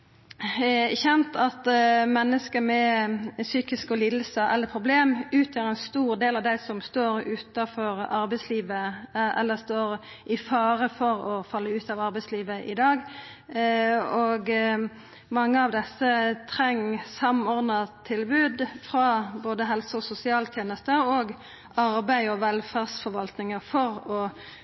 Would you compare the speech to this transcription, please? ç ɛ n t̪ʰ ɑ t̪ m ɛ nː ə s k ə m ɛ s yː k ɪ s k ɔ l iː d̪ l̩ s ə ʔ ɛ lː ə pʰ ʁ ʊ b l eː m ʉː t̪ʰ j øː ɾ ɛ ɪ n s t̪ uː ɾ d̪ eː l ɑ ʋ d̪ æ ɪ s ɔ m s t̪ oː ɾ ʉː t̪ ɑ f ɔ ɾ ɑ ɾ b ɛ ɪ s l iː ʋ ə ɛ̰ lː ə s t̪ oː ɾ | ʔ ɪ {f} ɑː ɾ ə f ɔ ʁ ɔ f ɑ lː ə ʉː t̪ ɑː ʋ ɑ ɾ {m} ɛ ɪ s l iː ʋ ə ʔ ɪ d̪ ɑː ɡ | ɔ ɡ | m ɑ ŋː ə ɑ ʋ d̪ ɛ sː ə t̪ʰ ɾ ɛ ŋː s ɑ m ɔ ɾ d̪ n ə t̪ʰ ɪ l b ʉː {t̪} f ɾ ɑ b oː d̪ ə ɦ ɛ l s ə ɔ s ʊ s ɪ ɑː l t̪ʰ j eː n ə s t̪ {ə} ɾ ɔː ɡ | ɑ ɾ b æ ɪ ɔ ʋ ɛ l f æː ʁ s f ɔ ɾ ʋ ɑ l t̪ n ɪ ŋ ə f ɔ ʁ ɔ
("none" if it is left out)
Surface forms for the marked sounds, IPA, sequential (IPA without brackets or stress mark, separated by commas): f, b, d̪, ə